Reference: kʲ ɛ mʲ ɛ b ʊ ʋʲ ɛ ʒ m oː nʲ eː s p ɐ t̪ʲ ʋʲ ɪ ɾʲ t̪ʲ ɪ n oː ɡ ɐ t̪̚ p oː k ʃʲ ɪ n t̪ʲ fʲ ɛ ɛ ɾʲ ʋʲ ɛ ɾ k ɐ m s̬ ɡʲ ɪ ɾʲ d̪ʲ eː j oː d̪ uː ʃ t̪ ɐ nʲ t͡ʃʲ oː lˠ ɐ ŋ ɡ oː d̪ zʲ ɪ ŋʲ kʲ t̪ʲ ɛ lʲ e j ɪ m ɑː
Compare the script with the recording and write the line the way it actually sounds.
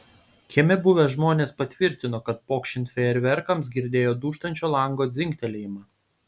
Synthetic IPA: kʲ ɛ mʲ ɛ b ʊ ʋʲ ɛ ʒ m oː nʲ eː s p ɐ t̪ʲ ʋʲ ɪ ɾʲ t̪ʲ ɪ n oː k ɐ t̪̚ p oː k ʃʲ ɪ n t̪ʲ fʲ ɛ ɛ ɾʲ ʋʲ ɛ ɾ k ɐ m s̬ ɡʲ ɪ ɾʲ d̪ʲ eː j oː d̪ uː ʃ t̪ ɐ nʲ t͡ʃʲ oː lˠ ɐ ŋ ɡ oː d̪ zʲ ɪ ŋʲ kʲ t̪ʲ ɛ lʲ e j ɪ m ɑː